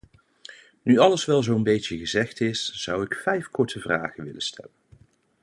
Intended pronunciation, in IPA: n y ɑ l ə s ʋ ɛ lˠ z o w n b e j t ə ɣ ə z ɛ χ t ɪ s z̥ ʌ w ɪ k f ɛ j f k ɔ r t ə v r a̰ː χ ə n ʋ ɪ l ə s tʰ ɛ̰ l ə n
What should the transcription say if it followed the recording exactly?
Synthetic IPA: n y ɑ l ə s ʋ ɛ lˠ z o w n b e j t ə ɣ ə z ɛ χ t ɪ s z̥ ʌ w ɪ k f ɛ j f k ɔ ɹ t ə v r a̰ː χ ə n ʋ ɪ l ə s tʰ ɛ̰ l ə n